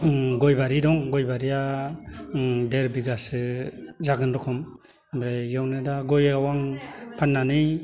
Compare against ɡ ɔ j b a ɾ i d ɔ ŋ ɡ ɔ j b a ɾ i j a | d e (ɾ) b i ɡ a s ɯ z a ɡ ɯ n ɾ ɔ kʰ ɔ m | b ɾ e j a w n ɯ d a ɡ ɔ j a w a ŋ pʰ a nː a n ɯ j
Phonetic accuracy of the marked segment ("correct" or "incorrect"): correct